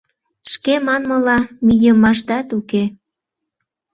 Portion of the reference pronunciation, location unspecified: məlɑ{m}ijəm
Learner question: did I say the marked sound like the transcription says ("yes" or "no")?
yes